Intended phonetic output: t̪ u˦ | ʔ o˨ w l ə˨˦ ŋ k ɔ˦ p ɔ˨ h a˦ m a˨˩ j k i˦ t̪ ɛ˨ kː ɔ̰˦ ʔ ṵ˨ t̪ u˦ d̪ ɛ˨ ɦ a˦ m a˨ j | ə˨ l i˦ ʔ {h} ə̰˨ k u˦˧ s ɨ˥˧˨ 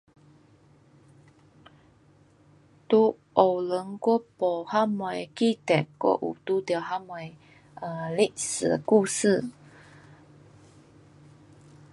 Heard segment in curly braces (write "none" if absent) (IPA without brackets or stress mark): s